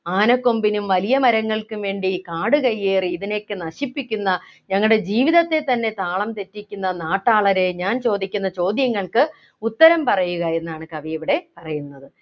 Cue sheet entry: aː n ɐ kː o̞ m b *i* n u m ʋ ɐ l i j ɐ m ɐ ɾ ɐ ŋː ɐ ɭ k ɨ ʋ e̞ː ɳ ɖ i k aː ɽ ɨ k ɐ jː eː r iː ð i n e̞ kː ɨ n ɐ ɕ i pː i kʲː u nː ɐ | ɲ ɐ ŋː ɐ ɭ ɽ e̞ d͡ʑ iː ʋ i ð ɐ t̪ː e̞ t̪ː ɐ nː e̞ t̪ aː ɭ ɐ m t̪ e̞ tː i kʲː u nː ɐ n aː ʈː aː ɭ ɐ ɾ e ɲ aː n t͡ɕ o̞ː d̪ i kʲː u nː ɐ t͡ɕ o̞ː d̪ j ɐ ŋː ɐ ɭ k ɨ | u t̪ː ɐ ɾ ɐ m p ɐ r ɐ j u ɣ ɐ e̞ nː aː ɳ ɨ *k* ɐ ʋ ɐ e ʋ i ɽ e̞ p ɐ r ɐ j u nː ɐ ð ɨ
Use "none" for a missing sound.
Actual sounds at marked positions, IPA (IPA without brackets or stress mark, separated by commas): i, k